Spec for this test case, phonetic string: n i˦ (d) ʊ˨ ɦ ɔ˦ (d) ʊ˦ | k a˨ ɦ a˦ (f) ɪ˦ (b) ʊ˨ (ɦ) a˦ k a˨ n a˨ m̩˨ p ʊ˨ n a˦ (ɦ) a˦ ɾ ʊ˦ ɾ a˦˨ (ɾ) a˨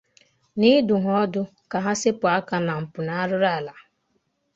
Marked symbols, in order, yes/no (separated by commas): yes, yes, no, no, no, no, no